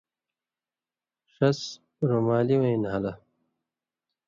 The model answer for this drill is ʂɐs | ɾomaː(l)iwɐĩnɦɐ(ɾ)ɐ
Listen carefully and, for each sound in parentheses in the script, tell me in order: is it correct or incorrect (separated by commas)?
correct, incorrect